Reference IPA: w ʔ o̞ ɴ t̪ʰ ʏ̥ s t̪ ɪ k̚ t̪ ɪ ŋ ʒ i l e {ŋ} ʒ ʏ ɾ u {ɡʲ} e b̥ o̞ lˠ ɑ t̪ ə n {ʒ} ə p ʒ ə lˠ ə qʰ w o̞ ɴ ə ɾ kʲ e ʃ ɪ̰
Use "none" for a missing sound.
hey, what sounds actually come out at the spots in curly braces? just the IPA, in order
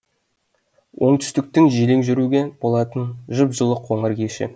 ŋ, ɡʲ, ʒ

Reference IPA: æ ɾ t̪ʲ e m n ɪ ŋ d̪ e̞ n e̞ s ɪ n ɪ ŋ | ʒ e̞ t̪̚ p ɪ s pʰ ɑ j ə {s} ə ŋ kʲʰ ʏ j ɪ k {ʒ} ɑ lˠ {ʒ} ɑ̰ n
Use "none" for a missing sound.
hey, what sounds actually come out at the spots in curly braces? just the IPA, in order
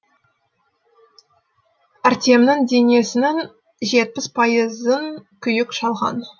z, ʃ, ʁ

